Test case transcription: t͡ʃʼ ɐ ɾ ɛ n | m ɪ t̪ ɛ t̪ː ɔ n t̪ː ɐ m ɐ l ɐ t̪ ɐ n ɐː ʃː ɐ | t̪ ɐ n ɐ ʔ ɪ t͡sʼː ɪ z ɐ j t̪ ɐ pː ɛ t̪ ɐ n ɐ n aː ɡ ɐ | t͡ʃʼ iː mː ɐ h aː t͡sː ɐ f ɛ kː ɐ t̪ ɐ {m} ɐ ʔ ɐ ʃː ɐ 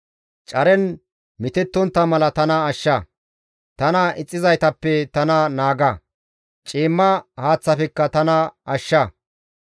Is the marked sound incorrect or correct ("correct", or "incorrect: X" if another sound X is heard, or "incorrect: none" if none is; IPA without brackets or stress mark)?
incorrect: n